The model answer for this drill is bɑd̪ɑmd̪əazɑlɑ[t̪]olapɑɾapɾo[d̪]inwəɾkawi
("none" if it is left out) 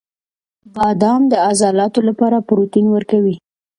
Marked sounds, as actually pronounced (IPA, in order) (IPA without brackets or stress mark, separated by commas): t̪, t̪